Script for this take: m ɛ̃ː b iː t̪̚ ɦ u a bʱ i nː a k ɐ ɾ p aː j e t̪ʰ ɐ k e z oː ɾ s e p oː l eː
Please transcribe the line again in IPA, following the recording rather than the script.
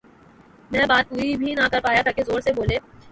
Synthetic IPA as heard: m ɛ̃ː b aː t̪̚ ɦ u i bʱ i n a k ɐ ɾ p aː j a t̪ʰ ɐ k e z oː ɾ s e b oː l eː